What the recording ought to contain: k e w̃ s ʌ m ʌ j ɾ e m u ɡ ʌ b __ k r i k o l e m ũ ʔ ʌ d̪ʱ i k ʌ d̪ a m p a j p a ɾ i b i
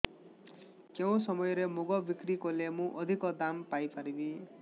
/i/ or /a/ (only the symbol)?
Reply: i